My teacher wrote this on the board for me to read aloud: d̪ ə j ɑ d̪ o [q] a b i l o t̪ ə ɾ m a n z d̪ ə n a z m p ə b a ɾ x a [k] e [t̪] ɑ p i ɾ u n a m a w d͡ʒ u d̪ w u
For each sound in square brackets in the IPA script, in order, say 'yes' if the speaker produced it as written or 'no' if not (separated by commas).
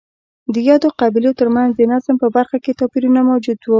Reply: yes, yes, yes